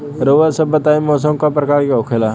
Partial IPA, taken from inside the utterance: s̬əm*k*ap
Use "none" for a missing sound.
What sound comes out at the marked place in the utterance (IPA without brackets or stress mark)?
k